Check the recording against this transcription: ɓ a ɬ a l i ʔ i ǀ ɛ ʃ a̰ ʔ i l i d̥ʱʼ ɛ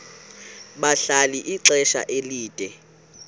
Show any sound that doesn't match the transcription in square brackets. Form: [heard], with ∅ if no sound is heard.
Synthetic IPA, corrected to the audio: ɓ a ɬ a l i ʔ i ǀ ɛ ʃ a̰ ʔ [e] l [iː] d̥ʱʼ ɛ